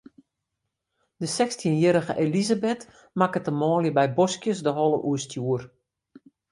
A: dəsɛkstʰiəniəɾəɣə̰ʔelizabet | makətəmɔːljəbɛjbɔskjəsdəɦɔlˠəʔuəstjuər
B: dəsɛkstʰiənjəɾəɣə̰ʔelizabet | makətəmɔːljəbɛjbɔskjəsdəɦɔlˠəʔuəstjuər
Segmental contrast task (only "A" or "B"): B